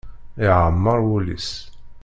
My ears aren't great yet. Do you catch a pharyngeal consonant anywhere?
yes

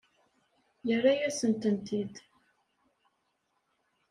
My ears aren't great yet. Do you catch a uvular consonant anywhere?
no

